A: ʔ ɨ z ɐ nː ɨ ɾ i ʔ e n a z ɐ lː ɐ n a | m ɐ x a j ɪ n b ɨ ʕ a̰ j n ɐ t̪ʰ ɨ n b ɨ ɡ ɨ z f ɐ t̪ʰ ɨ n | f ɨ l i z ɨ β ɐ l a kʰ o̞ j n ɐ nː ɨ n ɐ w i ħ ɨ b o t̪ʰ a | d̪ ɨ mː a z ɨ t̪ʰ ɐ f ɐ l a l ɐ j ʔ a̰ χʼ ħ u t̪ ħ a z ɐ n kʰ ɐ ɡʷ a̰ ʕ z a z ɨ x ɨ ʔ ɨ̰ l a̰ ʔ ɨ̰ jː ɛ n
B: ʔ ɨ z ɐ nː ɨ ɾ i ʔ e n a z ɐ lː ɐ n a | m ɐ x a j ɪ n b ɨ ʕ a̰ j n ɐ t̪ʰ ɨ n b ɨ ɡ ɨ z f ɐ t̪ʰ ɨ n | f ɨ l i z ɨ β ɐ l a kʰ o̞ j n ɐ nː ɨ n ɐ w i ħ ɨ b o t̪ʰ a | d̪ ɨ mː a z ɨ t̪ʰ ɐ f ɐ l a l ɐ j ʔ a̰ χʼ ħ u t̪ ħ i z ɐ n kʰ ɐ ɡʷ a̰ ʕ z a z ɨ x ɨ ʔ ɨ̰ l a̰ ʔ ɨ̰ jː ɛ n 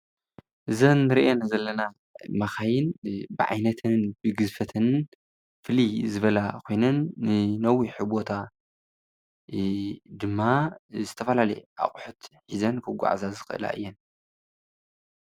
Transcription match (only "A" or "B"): B